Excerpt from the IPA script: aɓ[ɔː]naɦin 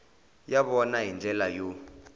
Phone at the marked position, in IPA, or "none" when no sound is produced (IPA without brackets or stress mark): ɔ